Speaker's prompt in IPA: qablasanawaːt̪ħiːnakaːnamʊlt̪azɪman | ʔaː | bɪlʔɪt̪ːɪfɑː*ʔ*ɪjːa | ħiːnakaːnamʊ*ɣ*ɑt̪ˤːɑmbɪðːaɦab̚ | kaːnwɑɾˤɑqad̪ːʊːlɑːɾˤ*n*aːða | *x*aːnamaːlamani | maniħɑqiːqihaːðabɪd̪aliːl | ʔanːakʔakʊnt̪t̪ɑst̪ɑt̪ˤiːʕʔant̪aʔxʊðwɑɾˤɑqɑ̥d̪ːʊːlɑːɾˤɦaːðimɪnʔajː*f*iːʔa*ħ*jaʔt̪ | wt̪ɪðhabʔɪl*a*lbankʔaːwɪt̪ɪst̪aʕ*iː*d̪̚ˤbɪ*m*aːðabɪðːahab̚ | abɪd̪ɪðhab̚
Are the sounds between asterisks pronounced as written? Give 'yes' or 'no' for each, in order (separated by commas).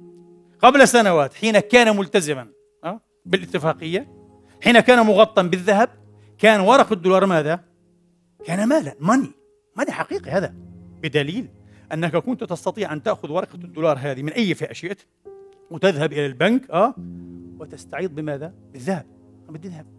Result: no, yes, no, no, yes, no, yes, yes, yes